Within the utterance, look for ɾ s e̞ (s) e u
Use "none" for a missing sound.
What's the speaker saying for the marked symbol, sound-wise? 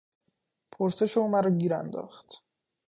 ʃ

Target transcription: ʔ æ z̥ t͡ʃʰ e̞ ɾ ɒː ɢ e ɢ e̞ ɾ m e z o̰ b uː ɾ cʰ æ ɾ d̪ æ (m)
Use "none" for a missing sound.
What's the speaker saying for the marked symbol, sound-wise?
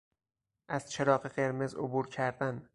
n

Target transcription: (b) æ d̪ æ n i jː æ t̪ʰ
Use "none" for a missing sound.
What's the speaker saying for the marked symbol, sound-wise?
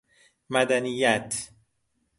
m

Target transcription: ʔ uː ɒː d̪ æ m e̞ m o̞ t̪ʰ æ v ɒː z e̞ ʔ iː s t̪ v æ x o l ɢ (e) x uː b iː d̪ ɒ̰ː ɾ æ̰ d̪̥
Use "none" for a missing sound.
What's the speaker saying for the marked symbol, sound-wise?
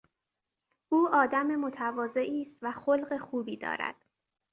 e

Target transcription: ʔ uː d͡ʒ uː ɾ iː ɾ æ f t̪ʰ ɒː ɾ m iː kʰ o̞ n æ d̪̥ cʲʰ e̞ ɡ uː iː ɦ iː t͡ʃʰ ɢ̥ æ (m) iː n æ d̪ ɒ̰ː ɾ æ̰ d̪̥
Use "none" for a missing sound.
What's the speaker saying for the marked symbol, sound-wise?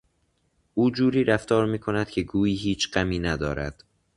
m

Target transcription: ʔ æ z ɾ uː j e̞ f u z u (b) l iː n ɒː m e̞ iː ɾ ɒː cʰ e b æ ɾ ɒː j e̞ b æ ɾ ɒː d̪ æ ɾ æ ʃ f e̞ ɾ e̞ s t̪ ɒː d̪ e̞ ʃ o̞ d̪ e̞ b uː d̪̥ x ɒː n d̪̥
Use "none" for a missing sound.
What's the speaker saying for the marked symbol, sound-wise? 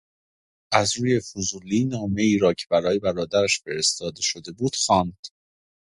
none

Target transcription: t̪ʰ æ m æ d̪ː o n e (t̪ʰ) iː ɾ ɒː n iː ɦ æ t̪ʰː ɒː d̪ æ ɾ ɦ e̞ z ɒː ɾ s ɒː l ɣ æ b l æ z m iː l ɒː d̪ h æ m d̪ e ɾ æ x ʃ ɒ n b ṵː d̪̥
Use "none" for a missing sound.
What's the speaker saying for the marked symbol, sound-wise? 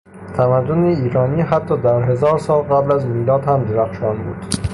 none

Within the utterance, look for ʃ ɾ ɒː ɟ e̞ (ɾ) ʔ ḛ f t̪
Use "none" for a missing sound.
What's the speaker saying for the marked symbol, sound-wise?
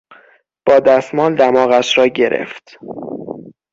ɾ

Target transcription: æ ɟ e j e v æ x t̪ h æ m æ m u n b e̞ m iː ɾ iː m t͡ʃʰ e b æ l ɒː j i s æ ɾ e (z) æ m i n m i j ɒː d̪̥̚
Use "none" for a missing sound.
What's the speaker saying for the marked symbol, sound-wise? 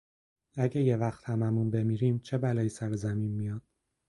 z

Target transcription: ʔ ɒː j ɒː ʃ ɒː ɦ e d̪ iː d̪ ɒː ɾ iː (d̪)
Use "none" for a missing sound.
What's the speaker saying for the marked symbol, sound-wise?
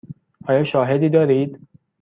d̪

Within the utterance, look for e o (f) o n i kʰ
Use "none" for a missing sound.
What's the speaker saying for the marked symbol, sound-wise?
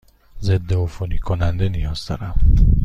f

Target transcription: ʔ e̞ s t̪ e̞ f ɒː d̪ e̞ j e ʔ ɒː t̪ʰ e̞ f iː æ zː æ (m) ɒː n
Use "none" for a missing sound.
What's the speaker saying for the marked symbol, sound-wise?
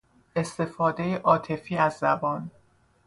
b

